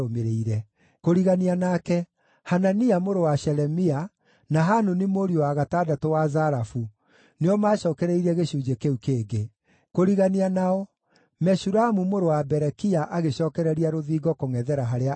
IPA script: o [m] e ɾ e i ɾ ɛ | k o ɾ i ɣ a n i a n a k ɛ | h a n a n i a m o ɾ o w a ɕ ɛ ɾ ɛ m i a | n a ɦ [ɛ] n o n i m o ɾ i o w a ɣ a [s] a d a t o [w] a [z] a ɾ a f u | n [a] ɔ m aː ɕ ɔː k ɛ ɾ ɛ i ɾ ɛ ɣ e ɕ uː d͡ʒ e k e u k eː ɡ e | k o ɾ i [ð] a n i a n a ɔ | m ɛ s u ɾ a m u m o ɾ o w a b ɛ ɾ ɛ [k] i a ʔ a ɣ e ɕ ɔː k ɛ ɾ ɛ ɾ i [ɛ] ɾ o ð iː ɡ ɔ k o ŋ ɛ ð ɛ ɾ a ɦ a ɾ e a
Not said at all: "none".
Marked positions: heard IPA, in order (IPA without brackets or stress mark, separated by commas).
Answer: m, a, t, w, z, e, ɣ, k, a